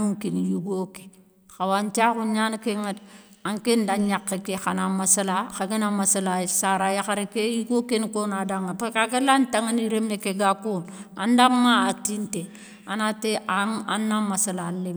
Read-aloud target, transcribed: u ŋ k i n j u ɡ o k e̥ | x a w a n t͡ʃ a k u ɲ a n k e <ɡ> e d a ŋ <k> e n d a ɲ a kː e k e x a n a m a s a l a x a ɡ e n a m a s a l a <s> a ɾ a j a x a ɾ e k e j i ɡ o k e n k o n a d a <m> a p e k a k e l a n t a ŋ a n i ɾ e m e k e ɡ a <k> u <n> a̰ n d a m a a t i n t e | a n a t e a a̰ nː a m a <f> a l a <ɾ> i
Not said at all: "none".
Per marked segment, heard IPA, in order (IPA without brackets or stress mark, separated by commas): ŋ, k, s, ŋ, k, n, s, l